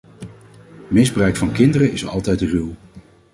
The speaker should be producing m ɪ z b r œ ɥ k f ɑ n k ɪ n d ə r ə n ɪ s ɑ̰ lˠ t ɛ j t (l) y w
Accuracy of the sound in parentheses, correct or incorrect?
incorrect